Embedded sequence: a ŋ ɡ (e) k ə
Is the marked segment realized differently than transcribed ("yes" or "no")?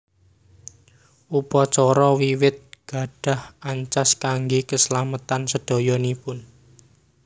no